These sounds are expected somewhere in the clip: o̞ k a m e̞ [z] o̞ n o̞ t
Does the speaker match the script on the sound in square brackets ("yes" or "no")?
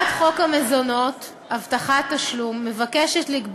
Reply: yes